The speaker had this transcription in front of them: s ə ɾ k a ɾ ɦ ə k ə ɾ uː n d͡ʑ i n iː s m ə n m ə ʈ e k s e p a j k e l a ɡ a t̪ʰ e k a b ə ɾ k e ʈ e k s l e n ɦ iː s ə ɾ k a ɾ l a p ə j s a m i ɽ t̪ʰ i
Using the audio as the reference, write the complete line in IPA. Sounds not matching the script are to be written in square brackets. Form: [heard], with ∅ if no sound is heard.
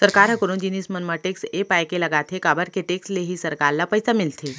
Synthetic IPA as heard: s ə ɾ k a ɾ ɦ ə k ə ɾ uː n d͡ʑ i n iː s m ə n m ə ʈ e k s e p a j k e l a ɡ a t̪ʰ e k a b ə ɾ k e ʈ e k s l e [∅] ɦ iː s ə ɾ k a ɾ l a p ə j s a m i [l] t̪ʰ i